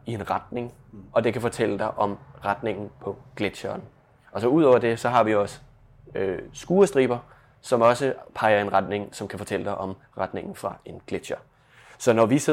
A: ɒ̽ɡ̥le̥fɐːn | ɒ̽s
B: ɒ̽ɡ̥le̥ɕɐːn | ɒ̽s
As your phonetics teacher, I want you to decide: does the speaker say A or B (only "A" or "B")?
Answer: B